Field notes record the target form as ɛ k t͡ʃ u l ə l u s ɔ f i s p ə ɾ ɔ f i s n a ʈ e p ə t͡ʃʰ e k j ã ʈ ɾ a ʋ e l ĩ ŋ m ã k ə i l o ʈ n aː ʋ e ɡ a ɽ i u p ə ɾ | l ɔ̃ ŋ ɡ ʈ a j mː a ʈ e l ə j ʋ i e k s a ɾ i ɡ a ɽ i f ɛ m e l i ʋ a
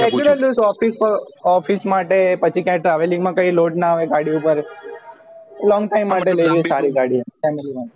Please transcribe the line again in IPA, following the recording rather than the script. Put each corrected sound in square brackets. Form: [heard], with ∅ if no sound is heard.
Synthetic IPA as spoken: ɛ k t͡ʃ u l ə l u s ɔ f i s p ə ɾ ɔ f i s [m] a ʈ e p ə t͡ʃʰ [i] k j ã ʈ ɾ a ʋ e l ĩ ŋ m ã k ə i l o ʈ n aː ʋ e ɡ a ɽ i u p ə ɾ | l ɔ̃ ŋ ɡ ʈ a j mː a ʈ e l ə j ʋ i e [∅] s a ɾ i ɡ a ɽ i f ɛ m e l i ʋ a